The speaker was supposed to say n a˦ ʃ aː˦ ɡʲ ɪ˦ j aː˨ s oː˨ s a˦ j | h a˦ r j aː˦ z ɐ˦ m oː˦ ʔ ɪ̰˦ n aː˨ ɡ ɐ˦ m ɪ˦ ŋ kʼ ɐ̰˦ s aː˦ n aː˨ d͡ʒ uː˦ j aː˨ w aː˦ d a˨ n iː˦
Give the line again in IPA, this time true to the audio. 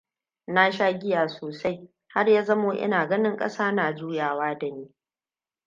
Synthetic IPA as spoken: n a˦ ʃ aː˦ ɡʲ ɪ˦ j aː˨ s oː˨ s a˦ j | h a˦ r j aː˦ z ɐ˦ m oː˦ ʔ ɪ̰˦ n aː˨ ɡ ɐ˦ n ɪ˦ ŋ kʼ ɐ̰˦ s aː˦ n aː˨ d͡ʒ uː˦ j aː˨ w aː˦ d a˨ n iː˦